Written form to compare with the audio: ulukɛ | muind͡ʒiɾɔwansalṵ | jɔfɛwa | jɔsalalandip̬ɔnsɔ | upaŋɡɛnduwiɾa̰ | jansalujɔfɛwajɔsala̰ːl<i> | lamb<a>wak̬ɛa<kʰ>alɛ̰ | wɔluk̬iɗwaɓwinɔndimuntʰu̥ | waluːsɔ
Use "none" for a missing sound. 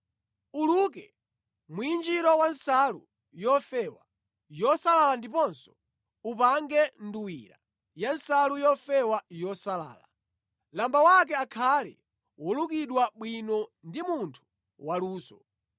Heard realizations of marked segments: a, a, kʰ

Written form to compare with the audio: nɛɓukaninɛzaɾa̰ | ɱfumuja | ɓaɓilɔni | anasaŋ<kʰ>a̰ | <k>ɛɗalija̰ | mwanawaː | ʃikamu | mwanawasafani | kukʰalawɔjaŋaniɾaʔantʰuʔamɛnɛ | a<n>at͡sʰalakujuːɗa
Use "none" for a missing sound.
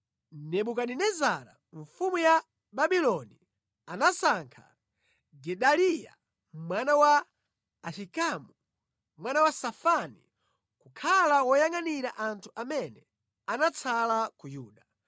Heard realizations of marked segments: kʰ, ɡ, n

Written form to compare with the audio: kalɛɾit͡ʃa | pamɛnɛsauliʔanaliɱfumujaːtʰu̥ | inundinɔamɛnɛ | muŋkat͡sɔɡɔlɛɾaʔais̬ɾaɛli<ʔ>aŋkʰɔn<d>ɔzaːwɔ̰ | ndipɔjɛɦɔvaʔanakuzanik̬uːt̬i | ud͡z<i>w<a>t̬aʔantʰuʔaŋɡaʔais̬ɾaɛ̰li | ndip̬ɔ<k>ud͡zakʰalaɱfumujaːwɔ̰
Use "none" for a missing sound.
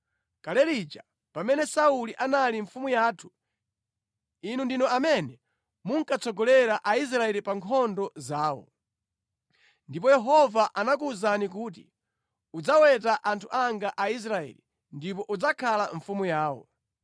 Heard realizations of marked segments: p, d, a, ɛ, ʔ

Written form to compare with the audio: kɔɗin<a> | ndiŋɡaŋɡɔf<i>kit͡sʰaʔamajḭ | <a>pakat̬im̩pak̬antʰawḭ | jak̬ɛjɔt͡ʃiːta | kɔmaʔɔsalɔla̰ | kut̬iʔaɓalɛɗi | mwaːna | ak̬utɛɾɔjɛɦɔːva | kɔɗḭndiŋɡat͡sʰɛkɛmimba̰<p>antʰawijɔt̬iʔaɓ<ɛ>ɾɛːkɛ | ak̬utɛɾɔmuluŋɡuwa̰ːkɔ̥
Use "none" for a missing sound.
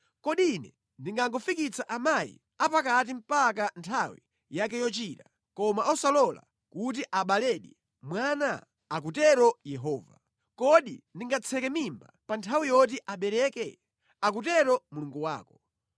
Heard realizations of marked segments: ɛ, i, a, p, ɛ

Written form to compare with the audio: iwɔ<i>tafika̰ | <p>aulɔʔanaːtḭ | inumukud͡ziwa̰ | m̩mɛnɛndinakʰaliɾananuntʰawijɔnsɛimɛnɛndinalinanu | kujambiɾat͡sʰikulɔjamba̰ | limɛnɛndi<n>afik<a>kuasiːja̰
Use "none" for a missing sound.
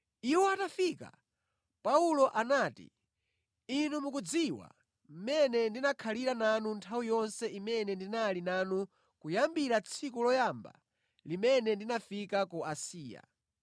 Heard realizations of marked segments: a, p, n, a

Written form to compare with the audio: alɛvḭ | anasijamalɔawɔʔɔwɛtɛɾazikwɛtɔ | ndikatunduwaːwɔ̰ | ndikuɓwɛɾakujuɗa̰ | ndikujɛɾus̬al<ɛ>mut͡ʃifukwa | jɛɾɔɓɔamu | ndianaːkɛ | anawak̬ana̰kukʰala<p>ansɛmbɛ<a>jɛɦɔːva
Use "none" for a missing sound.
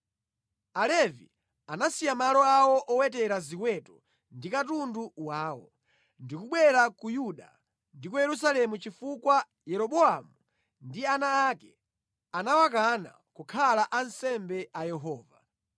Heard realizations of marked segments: ɛ, ʔ, a

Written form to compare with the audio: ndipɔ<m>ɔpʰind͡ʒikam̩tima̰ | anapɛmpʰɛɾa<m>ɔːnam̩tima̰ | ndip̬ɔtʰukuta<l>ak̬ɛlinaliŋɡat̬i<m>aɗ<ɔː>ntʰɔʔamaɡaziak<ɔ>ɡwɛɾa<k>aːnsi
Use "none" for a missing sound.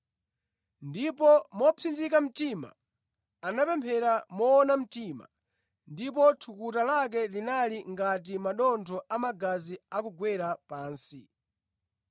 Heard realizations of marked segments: m, m, l, m, ɔ, u, p

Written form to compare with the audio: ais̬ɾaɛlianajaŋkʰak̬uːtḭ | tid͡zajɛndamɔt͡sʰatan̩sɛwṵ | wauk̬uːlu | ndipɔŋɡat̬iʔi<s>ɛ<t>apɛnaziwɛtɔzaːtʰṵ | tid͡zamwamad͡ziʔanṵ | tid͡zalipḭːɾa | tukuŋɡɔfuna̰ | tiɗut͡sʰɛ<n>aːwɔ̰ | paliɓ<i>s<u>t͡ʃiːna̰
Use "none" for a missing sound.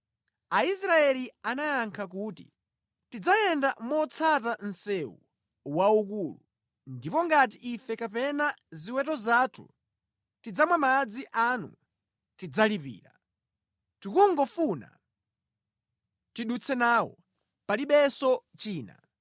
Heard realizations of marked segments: f, k, n, ɛ, ɔ

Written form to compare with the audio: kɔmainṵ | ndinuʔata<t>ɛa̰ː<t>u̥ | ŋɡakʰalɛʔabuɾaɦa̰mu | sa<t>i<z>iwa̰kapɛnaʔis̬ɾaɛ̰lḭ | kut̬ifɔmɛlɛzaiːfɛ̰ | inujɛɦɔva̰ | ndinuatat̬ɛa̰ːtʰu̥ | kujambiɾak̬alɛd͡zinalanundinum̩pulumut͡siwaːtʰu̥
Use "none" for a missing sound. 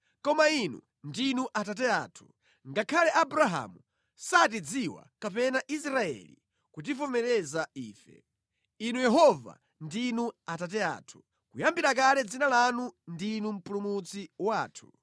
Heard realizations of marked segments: t, tʰ, t, d͡z

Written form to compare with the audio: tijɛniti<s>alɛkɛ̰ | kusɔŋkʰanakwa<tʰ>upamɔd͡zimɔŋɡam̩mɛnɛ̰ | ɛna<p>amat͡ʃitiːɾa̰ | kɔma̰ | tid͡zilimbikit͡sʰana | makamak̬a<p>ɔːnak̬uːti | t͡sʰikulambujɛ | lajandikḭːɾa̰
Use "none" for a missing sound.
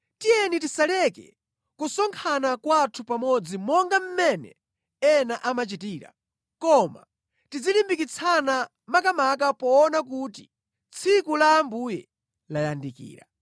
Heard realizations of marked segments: s, tʰ, ʔ, p

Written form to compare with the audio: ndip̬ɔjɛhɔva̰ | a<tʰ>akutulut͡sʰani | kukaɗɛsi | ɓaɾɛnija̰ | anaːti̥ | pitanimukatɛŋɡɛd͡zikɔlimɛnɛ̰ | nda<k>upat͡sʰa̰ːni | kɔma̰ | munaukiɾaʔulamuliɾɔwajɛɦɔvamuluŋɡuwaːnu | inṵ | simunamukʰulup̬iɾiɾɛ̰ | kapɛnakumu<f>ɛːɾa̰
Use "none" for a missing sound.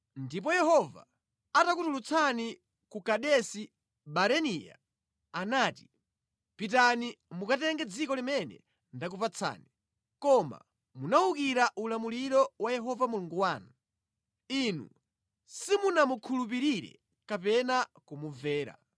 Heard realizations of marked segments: t, k, v

